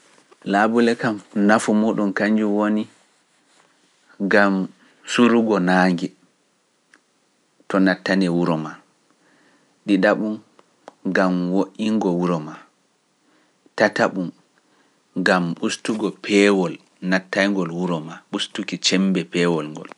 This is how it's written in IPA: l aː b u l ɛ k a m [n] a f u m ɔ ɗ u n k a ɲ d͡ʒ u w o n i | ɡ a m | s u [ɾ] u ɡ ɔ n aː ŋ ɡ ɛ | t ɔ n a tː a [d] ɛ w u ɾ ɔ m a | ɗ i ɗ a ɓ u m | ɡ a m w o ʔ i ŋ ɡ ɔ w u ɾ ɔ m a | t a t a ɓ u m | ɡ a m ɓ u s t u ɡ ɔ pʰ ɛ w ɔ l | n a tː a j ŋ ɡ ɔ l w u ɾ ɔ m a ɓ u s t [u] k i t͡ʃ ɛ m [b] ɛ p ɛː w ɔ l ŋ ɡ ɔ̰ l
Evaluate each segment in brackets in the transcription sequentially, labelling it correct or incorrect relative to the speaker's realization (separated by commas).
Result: correct, correct, incorrect, correct, correct